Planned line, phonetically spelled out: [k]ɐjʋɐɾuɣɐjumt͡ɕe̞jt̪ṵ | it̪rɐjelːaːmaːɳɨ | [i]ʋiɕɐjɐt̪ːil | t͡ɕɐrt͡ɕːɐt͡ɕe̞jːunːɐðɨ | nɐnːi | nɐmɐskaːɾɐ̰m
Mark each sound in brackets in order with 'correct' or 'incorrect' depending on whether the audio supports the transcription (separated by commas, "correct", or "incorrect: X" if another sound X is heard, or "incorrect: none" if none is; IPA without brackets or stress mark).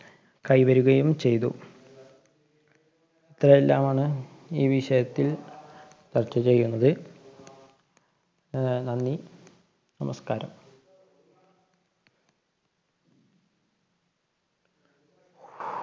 correct, incorrect: iː